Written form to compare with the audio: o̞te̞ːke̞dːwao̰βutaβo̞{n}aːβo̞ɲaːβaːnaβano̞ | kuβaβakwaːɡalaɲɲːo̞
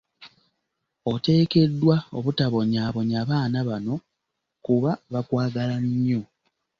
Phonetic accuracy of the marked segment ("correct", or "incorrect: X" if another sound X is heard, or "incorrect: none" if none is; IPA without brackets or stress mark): incorrect: ɲ